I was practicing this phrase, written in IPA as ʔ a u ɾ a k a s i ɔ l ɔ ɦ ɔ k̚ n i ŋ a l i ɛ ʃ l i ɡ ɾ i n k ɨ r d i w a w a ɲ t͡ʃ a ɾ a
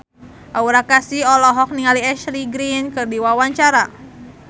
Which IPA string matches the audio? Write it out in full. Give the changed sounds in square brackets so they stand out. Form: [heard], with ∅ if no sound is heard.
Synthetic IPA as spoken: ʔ a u ɾ a k a s i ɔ l ɔ ɦ ɔ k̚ n i ŋ a l i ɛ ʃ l i ɡ ɾ i n k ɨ r d i w a w a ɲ t͡ʃ a ɾ a

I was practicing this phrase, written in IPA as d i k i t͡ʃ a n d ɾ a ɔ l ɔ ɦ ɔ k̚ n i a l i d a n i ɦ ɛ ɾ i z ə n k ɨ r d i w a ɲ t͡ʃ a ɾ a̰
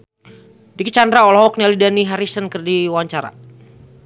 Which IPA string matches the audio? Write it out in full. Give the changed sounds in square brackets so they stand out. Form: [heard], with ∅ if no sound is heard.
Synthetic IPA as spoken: d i k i t͡ʃ a n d ɾ a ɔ l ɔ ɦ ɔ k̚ n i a l i d a n i ɦ [a] ɾ i [s] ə n k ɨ r d i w a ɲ t͡ʃ a ɾ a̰

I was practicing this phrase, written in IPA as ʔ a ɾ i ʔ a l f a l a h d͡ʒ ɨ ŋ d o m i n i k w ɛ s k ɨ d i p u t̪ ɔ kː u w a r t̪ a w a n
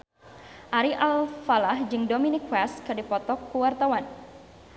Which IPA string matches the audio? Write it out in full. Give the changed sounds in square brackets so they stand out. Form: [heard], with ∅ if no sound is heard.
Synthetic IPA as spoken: ʔ a ɾ i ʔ a l f a l a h d͡ʒ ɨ ŋ d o m i n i k w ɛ s k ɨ d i p [ɔ] t̪ ɔ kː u w a r t̪ a w a n

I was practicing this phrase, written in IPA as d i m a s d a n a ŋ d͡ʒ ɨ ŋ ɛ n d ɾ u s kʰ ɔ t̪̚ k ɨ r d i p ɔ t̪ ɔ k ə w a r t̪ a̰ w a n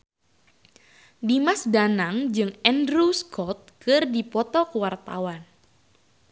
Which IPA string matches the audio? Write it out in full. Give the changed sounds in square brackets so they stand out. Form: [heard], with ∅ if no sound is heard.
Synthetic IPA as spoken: d i m a s d a n a ŋ d͡ʒ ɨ ŋ ɛ n d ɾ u s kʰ ɔ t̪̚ k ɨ r d i p ɔ t̪ ɔ k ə w a r t̪ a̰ w a n

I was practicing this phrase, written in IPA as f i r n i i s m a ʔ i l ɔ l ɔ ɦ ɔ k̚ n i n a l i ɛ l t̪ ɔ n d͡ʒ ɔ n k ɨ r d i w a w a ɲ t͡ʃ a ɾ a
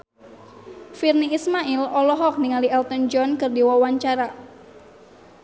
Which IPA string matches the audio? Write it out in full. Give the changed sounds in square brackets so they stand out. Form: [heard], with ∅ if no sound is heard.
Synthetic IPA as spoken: f i r n i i s m a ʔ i l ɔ l ɔ ɦ ɔ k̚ n i [ŋ] a l i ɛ l t̪ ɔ n d͡ʒ ɔ n k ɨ r d i w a w a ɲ t͡ʃ a ɾ a

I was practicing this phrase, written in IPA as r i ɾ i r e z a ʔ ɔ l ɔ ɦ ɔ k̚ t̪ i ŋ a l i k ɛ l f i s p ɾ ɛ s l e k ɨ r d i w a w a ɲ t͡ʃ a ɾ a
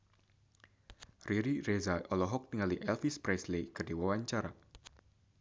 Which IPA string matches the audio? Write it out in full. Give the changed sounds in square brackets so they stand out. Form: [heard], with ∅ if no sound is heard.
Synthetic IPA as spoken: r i ɾ i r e z a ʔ ɔ l ɔ ɦ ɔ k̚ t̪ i ŋ a l i [ʔ] ɛ l f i s p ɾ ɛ s l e k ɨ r d i w a w a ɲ t͡ʃ a ɾ a

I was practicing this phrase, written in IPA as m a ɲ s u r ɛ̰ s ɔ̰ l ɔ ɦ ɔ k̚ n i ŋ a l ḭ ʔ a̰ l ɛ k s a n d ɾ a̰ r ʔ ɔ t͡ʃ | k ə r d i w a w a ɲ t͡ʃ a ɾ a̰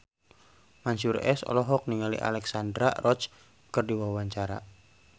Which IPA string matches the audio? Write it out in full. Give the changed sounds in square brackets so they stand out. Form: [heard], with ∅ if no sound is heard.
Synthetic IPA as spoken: m a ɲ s u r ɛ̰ s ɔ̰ l ɔ ɦ ɔ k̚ n i ŋ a l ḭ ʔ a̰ l ɛ k s a n d ɾ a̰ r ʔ ɔ t͡ʃ | k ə r d i w a w a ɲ t͡ʃ a ɾ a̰

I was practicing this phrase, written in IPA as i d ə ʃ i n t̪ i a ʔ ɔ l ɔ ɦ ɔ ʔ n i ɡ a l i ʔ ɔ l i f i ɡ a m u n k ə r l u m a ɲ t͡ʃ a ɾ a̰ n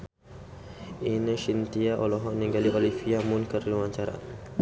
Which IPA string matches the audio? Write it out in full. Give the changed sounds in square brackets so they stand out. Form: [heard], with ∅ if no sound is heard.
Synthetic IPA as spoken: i [n] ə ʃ i n t̪ i a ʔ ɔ l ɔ ɦ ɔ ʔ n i ɡ a l i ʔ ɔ l i f i [∅] a m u n k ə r l u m a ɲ t͡ʃ a ɾ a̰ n

